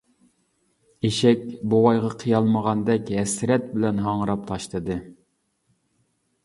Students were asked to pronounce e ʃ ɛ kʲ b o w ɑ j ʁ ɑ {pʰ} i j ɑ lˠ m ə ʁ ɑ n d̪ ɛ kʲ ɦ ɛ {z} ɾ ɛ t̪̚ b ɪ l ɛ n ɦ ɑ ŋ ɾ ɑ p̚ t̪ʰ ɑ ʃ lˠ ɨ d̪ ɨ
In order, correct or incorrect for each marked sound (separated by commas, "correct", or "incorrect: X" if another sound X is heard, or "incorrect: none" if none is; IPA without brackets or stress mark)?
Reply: incorrect: qʰ, incorrect: s